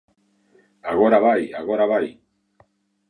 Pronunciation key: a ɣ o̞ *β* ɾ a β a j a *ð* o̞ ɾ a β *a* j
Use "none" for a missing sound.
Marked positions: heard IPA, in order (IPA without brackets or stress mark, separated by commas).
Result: none, ɣ, a